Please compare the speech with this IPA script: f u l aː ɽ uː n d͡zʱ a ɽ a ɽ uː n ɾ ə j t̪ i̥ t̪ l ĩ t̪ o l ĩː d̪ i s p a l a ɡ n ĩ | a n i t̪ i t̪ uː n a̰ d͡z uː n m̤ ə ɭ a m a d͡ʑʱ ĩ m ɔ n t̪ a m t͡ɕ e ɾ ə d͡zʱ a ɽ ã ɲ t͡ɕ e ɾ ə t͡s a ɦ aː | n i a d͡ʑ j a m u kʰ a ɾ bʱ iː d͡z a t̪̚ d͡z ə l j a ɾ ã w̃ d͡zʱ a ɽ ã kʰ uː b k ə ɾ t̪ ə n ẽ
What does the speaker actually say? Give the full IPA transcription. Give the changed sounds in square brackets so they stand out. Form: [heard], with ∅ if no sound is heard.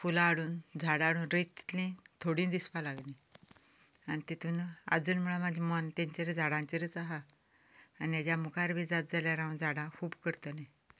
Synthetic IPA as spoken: f u l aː ɽ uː n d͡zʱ a ɽ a ɽ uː n ɾ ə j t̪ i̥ t̪ l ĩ [t̪ʰ] o [ɽ] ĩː d̪ i s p a l a ɡ n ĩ | a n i t̪ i t̪ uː n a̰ d͡z uː n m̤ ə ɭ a m a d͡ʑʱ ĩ m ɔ n t̪ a [ɲ] t͡ɕ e ɾ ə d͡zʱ a ɽ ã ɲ t͡ɕ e ɾ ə t͡s a ɦ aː | n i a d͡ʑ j a m u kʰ a ɾ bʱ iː d͡z a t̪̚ d͡z [a] l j a ɾ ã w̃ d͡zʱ a ɽ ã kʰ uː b k ə ɾ t̪ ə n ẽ